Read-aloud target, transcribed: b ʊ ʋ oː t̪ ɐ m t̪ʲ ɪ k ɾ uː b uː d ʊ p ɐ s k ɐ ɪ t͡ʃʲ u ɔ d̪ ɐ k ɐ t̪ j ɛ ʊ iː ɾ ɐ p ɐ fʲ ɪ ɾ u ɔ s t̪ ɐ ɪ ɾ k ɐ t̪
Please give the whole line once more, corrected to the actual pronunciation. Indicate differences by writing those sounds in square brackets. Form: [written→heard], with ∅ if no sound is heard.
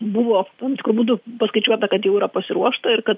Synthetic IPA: b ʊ ʋ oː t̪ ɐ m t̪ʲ ɪ k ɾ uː b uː d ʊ p ɐ s k ɐ ɪ t͡ʃʲ u ɔ [d̪→t̪] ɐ k ɐ t̪ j ɛ ʊ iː ɾ ɐ p ɐ [fʲ→sʲ] ɪ ɾ u ɔ [s→ʃ] t̪ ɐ ɪ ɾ k ɐ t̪